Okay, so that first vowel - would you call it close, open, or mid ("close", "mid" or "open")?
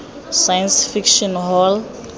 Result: open